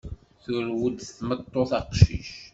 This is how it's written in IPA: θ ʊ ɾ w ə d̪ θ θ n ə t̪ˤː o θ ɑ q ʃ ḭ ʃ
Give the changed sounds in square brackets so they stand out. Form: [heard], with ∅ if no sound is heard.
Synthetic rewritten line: θ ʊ ɾ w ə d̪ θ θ [m] ə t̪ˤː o θ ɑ q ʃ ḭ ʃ

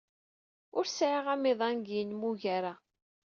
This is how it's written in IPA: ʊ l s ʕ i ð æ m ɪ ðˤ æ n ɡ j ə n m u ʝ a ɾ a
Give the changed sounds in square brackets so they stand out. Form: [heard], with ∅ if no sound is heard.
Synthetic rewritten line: ʊ [ɾ] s ʕ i [ʁ] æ m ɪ ðˤ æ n ɡ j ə n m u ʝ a ɾ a

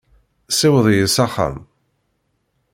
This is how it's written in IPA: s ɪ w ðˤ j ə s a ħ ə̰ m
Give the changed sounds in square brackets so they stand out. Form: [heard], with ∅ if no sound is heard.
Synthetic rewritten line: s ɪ w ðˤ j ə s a [χ] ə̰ m

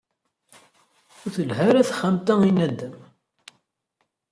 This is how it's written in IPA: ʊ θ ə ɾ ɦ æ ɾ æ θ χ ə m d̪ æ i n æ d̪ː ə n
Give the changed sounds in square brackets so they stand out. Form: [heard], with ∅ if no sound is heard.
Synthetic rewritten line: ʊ θ ə [l] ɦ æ ɾ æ θ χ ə m [t̪] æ i n æ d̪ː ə [m]

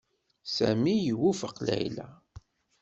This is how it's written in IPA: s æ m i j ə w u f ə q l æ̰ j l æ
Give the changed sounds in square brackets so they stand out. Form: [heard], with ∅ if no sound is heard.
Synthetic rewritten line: s æ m i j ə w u f ə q l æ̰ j l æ

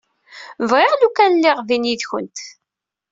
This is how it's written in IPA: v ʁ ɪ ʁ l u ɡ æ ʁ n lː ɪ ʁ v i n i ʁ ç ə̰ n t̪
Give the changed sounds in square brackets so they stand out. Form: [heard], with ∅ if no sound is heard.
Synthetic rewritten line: v ʁ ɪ ʁ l u [k] æ [∅] n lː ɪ ʁ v i n i [ð] ç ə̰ n t̪

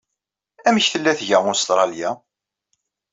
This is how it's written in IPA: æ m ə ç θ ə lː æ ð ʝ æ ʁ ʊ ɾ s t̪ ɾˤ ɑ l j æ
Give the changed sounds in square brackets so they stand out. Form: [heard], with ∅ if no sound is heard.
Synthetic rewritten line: æ m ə ç θ ə lː æ [θ] ʝ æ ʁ ʊ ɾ s t̪ ɾˤ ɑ l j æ

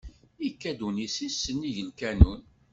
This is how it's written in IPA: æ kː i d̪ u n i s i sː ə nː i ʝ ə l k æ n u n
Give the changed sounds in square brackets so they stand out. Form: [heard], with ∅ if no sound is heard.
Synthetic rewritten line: [i] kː [æ] d̪ u n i s i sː ə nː i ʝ ə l k æ n u n

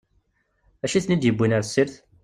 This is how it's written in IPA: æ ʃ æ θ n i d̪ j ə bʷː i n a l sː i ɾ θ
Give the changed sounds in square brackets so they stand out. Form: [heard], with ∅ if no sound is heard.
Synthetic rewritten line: æ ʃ [i] θ n i d̪ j ə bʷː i n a [ɾ] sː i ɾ θ

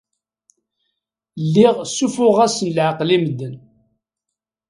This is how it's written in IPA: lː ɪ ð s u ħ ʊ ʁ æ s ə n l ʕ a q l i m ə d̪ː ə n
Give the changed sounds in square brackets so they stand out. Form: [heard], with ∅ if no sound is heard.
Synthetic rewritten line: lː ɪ [ʁ] s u [f] ʊ ʁ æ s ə n l ʕ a q l i m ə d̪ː ə n

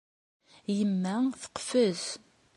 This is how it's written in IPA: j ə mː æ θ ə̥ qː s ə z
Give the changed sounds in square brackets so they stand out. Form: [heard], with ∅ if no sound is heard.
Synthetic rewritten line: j ə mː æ θ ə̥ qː [f] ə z

